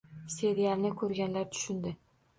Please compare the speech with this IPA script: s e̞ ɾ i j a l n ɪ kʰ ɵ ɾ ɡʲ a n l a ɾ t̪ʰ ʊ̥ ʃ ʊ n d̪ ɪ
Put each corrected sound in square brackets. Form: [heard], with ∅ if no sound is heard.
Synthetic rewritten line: s e̞ ɾ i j a l n ɪ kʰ ɵ ɾ ɡʲ a n l a ɾ t̪ʰ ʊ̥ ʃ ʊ n d̪ ɪ